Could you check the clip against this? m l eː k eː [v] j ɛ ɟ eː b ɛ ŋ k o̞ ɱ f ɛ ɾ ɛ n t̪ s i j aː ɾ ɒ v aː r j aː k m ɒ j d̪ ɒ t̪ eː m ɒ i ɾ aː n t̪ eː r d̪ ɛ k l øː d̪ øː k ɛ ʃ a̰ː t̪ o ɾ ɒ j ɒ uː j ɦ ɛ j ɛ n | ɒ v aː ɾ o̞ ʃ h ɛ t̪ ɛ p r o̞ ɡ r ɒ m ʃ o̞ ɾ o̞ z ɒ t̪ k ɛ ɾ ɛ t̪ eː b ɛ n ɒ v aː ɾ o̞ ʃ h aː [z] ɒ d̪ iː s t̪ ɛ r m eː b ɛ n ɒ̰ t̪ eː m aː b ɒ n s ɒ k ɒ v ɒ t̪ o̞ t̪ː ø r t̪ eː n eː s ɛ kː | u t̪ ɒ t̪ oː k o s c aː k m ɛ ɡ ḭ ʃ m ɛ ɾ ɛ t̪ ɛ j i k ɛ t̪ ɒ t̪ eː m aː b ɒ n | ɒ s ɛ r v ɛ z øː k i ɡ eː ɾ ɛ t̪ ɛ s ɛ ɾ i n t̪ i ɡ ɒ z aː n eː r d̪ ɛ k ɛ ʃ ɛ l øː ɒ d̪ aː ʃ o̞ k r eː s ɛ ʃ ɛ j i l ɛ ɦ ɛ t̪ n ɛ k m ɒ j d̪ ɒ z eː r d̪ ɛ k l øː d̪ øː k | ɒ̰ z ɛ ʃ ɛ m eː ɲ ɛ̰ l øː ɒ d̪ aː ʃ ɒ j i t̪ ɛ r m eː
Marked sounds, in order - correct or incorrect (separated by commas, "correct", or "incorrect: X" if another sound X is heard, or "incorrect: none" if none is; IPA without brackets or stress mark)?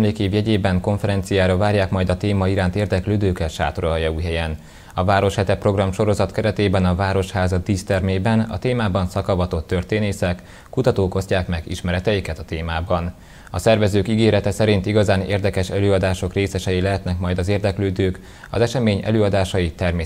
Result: correct, correct